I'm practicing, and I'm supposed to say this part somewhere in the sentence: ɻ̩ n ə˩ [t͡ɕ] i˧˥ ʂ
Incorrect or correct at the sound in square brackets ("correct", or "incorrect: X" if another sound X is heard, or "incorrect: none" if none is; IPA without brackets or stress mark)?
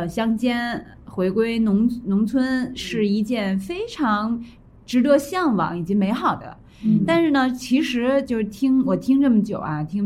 incorrect: t͡ɕʰ